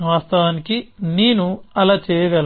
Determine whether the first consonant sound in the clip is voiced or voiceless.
voiced